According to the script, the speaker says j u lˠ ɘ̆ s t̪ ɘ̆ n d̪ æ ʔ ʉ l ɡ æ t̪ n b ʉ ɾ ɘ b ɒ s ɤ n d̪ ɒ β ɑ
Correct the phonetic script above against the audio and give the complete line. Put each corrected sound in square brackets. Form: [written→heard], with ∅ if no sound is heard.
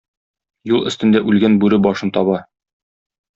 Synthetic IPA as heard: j u lˠ ɘ̆ s t̪ ɘ̆ n d̪ æ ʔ ʉ l ɡ æ [t̪→∅] n b ʉ ɾ ɘ b ɒ [s→ʃ] ɤ n [d̪→t̪] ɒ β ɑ

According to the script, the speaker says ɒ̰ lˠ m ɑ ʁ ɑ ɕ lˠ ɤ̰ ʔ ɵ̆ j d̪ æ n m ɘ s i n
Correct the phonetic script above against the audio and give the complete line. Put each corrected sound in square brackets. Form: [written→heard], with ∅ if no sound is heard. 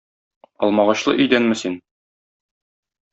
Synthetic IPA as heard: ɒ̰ lˠ m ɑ ʁ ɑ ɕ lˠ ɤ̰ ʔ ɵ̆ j d̪ æ n m ɘ s i n

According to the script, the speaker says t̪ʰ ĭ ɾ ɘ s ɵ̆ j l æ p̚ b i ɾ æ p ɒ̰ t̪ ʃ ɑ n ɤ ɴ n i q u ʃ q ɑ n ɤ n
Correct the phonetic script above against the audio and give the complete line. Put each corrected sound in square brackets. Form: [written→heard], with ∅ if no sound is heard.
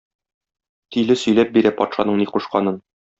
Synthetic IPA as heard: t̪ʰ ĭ [ɾ→l] ɘ s ɵ̆ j l æ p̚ b i ɾ æ p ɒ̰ t̪ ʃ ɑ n ɤ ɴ n i q u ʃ q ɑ n ɤ n

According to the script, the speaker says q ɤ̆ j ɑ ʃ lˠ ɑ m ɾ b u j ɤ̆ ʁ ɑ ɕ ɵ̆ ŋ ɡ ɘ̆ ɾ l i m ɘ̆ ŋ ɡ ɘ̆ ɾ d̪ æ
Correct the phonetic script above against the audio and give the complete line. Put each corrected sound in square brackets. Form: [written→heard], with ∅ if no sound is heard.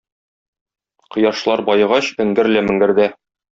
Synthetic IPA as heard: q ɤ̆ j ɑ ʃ lˠ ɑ [m→∅] ɾ b [u→ɒ] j ɤ̆ ʁ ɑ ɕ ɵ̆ ŋ ɡ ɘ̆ ɾ l [i→æ] m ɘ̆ ŋ ɡ ɘ̆ ɾ d̪ æ

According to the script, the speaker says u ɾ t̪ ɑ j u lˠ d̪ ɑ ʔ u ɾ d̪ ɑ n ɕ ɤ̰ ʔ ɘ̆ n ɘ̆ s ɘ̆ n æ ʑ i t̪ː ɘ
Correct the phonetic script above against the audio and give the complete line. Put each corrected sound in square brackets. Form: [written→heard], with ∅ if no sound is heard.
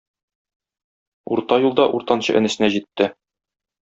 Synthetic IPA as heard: u ɾ t̪ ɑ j u lˠ d̪ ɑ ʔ u ɾ [d̪→t̪] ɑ n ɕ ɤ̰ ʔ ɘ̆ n ɘ̆ s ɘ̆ n æ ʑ i t̪ː ɘ

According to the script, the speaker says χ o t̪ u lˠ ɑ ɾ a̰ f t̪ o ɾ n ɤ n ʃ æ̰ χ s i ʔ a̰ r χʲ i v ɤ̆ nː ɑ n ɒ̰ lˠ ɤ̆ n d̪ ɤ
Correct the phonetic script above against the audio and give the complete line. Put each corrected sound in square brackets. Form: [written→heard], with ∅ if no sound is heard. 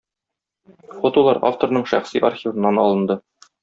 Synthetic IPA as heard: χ o t̪ u lˠ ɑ ɾ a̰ f t̪ o ɾ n ɤ [n→ɴ] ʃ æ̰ χ s i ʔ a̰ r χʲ i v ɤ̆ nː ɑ n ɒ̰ lˠ ɤ̆ n d̪ ɤ

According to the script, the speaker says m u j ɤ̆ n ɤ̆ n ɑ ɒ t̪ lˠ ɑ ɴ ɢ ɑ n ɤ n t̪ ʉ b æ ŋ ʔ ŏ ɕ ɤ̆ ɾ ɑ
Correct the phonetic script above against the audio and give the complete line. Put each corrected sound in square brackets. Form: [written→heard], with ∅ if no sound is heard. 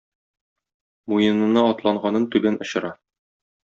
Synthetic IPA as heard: m u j ɤ̆ n ɤ̆ n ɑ ɒ t̪ lˠ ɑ ɴ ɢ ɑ n ɤ n t̪ ʉ b æ [ŋ→n] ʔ ŏ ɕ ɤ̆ ɾ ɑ

